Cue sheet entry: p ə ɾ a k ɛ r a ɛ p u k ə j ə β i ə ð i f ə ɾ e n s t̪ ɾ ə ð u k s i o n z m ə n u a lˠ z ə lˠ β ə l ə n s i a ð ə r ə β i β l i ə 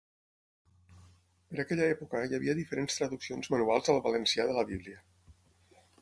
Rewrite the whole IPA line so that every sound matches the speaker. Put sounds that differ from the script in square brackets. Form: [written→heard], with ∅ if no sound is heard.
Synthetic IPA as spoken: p ə ɾ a k ɛ [r→ʎ] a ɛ p u k ə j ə β i ə ð i f ə ɾ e n s t̪ ɾ ə ð u k s i o n z m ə n u a lˠ z ə lˠ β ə l ə n s i a ð ə [r→l] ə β i β l i ə